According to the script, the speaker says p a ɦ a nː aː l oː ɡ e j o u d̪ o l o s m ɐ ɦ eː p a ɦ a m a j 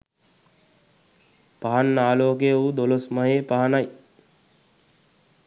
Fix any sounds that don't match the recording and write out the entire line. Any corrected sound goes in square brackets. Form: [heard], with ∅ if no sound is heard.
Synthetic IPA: p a ɦ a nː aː l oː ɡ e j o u d̪ o l o s m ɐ ɦ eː p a ɦ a [n] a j